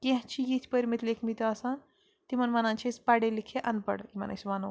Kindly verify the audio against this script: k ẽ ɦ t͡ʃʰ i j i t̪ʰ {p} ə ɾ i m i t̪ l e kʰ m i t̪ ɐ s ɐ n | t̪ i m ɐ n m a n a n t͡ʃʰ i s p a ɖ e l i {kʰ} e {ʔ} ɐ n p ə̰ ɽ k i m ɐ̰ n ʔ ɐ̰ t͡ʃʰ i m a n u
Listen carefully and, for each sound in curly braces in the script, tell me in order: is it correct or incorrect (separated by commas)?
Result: correct, correct, correct